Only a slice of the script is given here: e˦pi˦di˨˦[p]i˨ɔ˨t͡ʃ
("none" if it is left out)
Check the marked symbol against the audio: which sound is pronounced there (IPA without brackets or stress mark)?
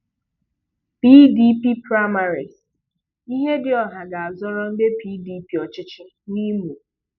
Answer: p